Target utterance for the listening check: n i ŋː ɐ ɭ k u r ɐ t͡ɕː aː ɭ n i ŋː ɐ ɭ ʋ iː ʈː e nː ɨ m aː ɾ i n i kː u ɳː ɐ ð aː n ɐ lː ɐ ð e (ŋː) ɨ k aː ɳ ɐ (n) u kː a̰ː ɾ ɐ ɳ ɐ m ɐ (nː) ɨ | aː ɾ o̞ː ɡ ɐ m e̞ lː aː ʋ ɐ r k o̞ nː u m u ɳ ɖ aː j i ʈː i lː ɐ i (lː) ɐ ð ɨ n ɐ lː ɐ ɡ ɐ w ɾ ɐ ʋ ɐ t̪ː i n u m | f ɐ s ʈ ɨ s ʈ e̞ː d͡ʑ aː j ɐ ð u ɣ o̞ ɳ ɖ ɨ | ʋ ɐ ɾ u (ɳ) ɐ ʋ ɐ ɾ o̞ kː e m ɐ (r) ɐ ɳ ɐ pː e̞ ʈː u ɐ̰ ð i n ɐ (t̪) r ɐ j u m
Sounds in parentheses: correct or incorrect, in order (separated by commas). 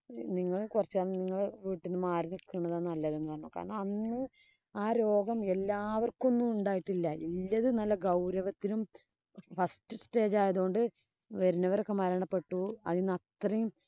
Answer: incorrect, incorrect, correct, correct, incorrect, incorrect, correct